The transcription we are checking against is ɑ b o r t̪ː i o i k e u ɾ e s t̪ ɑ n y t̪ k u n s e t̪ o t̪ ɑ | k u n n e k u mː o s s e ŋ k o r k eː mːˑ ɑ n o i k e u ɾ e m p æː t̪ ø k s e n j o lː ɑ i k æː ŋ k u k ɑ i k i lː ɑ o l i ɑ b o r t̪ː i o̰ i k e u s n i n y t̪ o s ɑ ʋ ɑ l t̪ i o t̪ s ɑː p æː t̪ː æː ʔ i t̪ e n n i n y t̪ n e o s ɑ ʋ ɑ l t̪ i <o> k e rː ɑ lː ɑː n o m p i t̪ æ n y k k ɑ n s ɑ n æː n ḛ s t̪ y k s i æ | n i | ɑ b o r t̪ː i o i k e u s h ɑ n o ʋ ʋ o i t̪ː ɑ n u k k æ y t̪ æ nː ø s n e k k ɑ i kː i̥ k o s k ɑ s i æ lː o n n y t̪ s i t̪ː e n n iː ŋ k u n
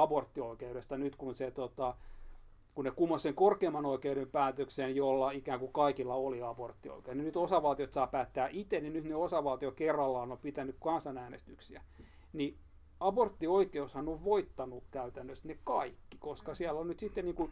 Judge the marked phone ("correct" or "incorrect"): correct